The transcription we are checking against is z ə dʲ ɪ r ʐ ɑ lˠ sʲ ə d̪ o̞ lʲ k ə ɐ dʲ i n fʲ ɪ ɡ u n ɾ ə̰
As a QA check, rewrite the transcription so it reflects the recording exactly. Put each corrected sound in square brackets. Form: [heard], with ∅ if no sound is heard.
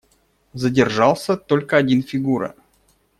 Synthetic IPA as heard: z ə dʲ ɪ r ʐ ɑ lˠ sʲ ə [t̪] o̞ lʲ k ə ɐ dʲ i n fʲ ɪ ɡ u [∅] ɾ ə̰